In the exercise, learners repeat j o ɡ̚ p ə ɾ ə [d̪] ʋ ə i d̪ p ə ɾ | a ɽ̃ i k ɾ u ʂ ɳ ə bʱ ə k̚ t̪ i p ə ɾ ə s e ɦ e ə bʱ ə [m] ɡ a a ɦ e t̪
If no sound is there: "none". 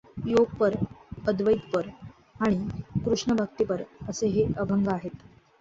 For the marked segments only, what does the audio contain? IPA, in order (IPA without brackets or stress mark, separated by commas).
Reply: d̪, ŋ